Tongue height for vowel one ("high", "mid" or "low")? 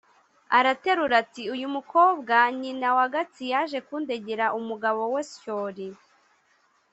low